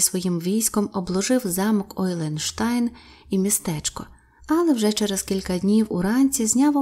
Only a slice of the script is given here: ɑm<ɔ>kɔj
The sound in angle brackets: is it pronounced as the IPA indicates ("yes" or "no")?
yes